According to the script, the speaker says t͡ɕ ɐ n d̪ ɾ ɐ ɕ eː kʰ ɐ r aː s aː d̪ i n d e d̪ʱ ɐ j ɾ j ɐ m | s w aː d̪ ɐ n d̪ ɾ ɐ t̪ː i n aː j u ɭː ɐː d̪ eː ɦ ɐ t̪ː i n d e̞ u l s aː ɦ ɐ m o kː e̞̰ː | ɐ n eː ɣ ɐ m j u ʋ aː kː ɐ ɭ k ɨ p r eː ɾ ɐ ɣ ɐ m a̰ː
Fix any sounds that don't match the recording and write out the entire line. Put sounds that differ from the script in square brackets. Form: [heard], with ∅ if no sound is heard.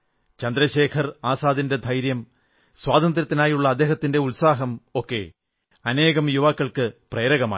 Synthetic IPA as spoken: t͡ɕ ɐ n d̪ ɾ ɐ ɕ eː kʰ ɐ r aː s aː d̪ i n d e d̪ʱ ɐ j ɾ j ɐ m | s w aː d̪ ɐ n d̪ ɾ ɐ t̪ː i n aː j u ɭː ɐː d̪ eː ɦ ɐ t̪ː i n d e̞ u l s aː ɦ ɐ m o kː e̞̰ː | ɐ n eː ɣ ɐ m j u ʋ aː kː ɐ ɭ k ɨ p r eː ɾ ɐ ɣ ɐ m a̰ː